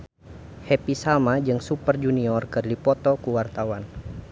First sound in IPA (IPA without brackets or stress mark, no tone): h